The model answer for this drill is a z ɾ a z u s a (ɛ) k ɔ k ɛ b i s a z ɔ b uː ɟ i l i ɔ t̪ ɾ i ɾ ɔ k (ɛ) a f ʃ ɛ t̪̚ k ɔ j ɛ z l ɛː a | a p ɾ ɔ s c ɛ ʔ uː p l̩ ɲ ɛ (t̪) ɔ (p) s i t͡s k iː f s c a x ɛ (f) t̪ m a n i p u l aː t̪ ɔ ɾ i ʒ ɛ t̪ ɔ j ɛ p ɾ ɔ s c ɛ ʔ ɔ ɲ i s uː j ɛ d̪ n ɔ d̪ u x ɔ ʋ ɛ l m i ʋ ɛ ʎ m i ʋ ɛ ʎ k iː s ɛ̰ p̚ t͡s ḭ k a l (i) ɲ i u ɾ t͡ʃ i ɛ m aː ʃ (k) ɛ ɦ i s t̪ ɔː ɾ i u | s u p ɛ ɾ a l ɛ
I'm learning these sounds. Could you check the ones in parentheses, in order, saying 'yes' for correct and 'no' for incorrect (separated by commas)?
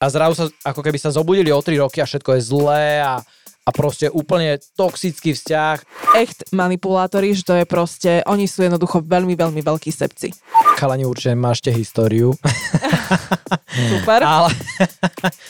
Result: no, no, yes, no, no, no, no